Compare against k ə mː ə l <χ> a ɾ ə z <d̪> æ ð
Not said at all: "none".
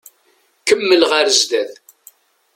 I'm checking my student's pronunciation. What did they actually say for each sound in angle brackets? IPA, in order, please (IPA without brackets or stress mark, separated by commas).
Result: ʁ, d̪